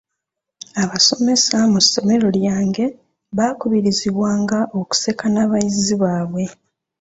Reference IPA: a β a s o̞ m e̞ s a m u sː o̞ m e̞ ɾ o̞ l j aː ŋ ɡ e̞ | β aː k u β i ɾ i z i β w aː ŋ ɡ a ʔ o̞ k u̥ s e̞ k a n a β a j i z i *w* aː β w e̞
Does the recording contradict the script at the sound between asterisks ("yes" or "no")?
yes